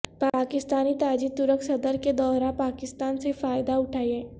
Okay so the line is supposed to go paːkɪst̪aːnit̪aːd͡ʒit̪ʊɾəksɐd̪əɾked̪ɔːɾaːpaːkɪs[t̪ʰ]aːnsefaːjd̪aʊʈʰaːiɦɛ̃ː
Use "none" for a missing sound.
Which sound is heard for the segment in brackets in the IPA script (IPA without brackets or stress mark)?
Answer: t̪